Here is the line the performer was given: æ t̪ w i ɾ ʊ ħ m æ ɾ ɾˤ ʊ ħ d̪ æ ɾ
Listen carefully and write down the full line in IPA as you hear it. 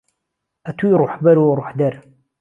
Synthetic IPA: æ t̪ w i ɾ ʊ ħ b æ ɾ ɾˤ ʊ ħ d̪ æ ɾ